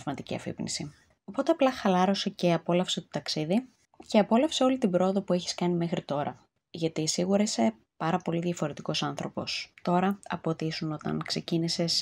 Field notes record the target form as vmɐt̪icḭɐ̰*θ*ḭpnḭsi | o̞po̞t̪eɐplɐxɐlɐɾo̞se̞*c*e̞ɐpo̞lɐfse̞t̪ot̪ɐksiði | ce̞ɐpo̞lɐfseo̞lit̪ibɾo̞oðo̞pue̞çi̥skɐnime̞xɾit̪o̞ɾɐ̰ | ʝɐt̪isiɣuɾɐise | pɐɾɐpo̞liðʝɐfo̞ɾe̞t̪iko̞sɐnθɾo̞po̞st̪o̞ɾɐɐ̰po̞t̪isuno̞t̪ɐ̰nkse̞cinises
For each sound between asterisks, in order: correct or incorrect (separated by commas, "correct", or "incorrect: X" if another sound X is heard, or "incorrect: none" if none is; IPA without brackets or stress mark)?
incorrect: f, correct